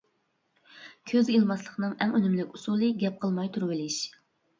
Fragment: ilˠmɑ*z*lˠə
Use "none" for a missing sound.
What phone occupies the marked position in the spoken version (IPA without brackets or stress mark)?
s